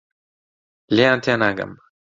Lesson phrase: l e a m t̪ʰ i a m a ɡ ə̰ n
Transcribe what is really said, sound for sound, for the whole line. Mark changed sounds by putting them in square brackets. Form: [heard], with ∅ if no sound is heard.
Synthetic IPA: l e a [n] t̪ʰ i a [n] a ɡ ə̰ [m]